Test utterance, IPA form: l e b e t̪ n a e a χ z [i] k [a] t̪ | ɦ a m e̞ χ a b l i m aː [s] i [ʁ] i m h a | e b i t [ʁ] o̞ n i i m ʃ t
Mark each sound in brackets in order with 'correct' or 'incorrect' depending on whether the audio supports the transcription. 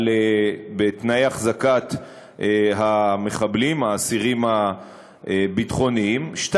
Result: incorrect, correct, correct, correct, incorrect

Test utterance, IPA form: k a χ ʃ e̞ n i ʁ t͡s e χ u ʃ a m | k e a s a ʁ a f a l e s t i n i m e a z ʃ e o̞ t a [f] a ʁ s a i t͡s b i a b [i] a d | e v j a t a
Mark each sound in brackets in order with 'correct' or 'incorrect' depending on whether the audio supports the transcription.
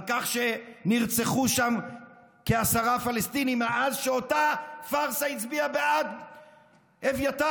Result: correct, incorrect

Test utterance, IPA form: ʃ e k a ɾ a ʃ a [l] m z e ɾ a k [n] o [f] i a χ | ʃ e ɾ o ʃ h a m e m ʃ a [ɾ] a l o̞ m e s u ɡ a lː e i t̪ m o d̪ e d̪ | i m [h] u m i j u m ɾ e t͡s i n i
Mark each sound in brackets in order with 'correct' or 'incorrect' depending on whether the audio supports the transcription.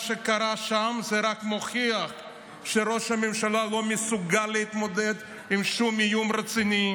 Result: incorrect, incorrect, incorrect, incorrect, incorrect

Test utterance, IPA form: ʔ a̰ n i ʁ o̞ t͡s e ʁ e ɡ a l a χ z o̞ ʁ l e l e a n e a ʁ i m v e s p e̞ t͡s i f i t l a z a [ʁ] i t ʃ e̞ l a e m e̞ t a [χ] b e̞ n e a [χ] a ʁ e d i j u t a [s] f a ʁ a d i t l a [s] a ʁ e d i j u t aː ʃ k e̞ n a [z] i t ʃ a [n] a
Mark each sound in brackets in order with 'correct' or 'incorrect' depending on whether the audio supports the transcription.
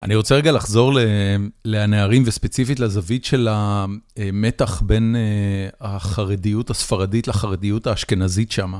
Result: incorrect, correct, correct, correct, incorrect, correct, incorrect

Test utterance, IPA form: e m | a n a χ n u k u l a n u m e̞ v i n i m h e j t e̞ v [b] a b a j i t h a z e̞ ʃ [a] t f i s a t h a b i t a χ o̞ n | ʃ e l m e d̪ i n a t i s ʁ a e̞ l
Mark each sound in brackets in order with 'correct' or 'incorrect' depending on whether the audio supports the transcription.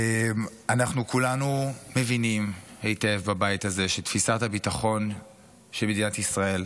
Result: correct, incorrect

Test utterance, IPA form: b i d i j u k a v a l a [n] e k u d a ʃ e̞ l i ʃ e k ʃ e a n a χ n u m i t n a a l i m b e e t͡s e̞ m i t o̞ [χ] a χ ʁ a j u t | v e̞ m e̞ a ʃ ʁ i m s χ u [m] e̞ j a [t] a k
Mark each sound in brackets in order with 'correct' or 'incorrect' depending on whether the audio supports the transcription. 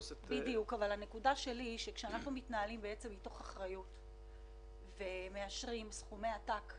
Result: correct, correct, correct, correct

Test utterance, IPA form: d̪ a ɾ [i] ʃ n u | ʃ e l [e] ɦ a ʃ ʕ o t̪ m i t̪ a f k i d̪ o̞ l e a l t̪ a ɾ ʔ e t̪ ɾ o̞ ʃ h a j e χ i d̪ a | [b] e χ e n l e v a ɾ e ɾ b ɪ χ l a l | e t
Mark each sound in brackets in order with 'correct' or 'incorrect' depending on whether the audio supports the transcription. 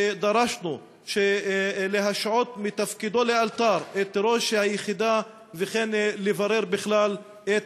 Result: incorrect, correct, incorrect

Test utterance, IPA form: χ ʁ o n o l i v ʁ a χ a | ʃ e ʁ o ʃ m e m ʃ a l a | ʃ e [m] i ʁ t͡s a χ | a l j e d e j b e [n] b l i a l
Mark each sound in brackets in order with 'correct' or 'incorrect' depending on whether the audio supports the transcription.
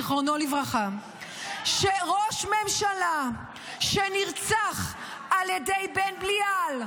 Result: incorrect, correct

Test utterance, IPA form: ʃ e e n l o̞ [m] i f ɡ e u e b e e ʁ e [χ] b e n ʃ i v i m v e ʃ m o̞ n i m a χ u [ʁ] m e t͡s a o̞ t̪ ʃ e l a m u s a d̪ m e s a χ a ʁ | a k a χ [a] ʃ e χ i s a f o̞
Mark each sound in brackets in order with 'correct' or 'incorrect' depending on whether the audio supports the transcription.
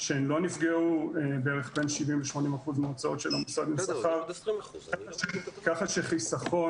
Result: incorrect, correct, incorrect, correct

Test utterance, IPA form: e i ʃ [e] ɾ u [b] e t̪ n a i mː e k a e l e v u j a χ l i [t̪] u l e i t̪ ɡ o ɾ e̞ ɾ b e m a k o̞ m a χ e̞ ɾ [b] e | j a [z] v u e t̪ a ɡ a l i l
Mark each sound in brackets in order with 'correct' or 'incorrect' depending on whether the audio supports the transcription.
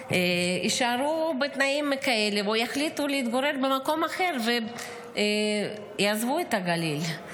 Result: incorrect, correct, correct, incorrect, correct

